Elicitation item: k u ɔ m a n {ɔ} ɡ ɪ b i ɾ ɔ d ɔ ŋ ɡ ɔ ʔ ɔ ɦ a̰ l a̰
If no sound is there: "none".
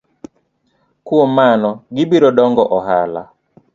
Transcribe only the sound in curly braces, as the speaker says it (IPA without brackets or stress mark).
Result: ɔ